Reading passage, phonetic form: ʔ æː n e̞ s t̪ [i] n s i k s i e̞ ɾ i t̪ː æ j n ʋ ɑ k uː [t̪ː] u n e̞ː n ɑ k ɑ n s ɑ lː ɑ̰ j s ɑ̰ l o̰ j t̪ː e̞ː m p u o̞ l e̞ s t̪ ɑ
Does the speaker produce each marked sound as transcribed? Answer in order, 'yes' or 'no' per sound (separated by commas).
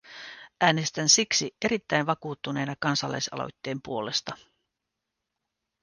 no, yes